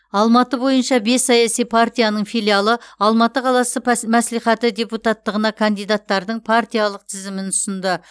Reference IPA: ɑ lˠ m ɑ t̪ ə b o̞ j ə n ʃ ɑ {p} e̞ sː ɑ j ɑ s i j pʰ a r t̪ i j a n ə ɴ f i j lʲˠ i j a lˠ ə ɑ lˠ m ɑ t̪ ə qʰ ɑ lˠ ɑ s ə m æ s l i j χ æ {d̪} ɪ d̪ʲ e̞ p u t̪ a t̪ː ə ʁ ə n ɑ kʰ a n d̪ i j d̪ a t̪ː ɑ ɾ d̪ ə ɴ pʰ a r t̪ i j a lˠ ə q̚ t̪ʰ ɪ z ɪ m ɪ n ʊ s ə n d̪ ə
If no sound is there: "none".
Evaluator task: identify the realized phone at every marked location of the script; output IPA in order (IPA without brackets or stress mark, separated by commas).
b, t̪